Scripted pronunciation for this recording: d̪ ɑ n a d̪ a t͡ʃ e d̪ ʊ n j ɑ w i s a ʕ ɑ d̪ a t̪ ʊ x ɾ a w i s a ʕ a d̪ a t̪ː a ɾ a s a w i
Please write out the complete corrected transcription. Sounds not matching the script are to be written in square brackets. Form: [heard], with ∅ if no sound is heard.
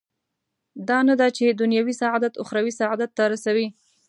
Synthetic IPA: d̪ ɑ n a d̪ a t͡ʃ e d̪ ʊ n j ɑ w i s a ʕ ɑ d̪ a t̪ ʊ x ɾ a w i s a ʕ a d̪ a t̪ː a ɾ a s a w i